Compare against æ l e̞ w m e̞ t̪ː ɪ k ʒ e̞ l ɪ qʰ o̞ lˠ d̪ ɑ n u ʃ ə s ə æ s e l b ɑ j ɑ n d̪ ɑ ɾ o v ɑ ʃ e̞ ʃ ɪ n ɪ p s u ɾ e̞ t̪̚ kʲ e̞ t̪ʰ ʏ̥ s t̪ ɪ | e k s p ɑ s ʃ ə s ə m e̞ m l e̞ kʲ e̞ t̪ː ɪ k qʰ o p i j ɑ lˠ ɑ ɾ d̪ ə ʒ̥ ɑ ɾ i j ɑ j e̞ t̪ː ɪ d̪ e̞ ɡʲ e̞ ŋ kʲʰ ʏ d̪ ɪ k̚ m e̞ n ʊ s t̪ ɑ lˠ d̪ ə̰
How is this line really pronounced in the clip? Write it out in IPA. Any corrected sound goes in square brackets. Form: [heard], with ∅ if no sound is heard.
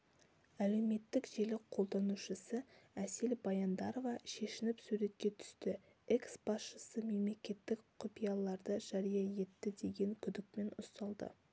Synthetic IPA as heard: æ l e̞ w m e̞ t̪ː ɪ k ʒ e̞ l ɪ qʰ o̞ lˠ d̪ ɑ n u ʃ ə s ə æ s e l b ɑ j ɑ n d̪ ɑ ɾ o v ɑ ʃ e̞ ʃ ɪ n ɪ p s u ɾ e̞ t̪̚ kʲ e̞ t̪ʰ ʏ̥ s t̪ ɪ | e k s [b] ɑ s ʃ ə s ə m e̞ m l e̞ kʲ e̞ t̪ː ɪ k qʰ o p i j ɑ lˠ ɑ ɾ d̪ ə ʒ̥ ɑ ɾ i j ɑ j e̞ t̪ː ɪ d̪ e̞ ɡʲ e̞ ŋ kʲʰ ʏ d̪ ɪ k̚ m e̞ n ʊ s t̪ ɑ lˠ d̪ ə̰

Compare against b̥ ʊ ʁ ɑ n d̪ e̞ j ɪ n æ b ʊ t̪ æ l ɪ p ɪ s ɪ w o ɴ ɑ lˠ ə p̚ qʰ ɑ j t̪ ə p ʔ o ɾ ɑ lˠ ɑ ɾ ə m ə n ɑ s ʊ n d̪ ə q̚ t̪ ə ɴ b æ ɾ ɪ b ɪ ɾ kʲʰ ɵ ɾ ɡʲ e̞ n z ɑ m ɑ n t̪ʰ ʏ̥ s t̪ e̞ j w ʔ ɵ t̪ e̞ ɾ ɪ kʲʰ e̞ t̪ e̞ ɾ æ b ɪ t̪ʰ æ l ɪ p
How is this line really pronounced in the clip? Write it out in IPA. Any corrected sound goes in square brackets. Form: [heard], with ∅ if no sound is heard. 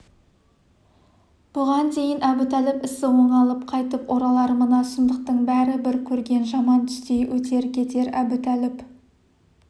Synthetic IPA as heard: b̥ ʊ ʁ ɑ n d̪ e̞ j ɪ n æ b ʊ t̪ æ l ɪ p ɪ s ɪ w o ɴ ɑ lˠ ə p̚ qʰ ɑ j t̪ ə p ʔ o ɾ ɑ lˠ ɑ ɾ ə m ə n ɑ s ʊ n d̪ ə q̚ t̪ ə ɴ b æ ɾ ɪ b ɪ ɾ kʲʰ ɵ ɾ ɡʲ e̞ n [ʒ] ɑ m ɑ n t̪ʰ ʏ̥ s t̪ e̞ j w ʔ ɵ t̪ e̞ ɾ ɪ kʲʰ e̞ t̪ e̞ ɾ æ b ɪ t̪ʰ æ l ɪ p

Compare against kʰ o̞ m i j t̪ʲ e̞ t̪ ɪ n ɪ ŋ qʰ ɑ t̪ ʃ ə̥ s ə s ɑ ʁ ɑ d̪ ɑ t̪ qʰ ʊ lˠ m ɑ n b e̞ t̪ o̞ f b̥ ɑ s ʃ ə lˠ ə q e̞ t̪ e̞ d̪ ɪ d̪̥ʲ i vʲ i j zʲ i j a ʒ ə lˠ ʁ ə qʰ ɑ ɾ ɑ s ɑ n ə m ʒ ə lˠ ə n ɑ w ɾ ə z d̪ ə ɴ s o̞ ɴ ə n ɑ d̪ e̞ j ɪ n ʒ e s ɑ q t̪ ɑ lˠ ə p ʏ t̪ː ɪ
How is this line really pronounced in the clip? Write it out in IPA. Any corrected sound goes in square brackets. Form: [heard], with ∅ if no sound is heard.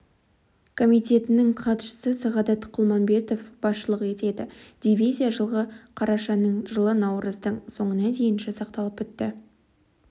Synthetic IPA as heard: kʰ o̞ m i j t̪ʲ e̞ t̪ ɪ n ɪ ŋ qʰ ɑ t̪ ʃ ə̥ s ə s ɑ ʁ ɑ d̪ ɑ t̪ qʰ ʊ lˠ m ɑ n b e̞ t̪ o̞ f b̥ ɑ s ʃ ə lˠ ə q e̞ t̪ e̞ d̪ ɪ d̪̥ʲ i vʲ i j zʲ i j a ʒ ə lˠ ʁ ə qʰ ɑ ɾ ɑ [ʃ] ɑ n ə [ɴ] ʒ ə lˠ ə n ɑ w ɾ ə z d̪ ə ɴ s o̞ ɴ ə n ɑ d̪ e̞ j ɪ n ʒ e s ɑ q t̪ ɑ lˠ ə p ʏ t̪ː ɪ

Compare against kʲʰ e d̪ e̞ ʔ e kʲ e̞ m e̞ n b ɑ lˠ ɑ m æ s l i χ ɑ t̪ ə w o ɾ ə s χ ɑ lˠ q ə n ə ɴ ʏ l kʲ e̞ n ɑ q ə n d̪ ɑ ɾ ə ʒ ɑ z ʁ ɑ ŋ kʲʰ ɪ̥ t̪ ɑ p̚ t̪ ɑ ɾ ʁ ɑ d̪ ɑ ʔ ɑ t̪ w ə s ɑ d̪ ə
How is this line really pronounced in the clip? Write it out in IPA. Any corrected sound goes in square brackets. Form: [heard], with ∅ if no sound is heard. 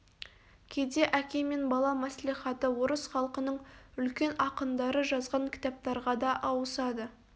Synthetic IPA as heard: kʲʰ e d̪ e̞ ʔ [æ] kʲ e̞ m e̞ n b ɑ lˠ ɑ m æ s l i χ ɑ t̪ ə w o ɾ ə s χ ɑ lˠ q ə n ə ɴ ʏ l kʲ e̞ n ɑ q ə n d̪ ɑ ɾ ə ʒ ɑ z ʁ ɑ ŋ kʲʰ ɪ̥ t̪ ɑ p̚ t̪ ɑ ɾ ʁ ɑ d̪ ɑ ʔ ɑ [∅] w ə s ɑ d̪ ə

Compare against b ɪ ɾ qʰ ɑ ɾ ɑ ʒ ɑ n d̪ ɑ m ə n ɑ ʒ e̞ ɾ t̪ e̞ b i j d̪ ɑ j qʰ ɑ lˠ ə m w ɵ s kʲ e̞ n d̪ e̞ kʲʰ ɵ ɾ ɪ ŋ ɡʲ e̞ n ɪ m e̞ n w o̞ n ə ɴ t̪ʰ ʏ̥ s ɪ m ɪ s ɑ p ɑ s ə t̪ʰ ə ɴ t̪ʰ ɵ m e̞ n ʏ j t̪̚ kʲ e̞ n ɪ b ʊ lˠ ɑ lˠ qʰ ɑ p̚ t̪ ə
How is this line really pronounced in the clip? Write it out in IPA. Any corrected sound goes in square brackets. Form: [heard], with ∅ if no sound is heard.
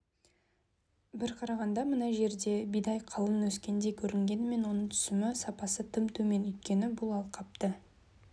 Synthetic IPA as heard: b ɪ ɾ qʰ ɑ ɾ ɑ [ʁ] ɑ n d̪ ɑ m ə n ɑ ʒ e̞ ɾ [d̪] e̞ b i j d̪ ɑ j qʰ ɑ lˠ ə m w ɵ s kʲ e̞ n d̪ e̞ kʲʰ ɵ ɾ ɪ ŋ ɡʲ e̞ n ɪ m e̞ n w o̞ n ə ɴ t̪ʰ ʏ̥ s ɪ m ɪ s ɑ p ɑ s ə t̪ʰ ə [m] t̪ʰ ɵ m e̞ n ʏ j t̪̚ kʲ e̞ n ɪ b ʊ lˠ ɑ lˠ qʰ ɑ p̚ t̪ ə

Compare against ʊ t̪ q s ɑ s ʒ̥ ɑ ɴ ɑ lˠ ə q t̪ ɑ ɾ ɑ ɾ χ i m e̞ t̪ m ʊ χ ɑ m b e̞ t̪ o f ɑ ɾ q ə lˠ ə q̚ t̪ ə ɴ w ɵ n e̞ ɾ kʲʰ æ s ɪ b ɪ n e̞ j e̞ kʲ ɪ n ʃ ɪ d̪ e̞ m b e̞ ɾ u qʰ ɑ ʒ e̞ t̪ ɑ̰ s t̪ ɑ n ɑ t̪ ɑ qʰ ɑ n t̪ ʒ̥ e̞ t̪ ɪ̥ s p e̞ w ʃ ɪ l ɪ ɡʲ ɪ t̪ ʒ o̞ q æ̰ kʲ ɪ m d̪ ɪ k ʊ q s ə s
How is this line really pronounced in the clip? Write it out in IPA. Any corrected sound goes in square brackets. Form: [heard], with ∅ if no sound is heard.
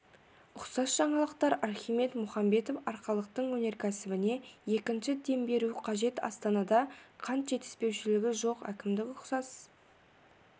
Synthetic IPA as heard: ʊ [∅] q s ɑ s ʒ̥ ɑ ɴ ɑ lˠ ə q t̪ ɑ ɾ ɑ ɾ χ i m e̞ t̪ m ʊ χ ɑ m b e̞ t̪ o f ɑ ɾ q [ɑ] lˠ ə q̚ t̪ ə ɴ w ɵ n e̞ ɾ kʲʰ æ s ɪ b ɪ n e̞ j e̞ kʲ ɪ n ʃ ɪ d̪ e̞ m b e̞ ɾ u qʰ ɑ ʒ e̞ t̪ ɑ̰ s t̪ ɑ n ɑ [d̪] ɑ qʰ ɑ n t̪ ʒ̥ e̞ t̪ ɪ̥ s p e̞ w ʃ ɪ l ɪ ɡʲ ɪ [∅] ʒ o̞ q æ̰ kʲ ɪ m d̪ ɪ k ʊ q s [ɑ] s

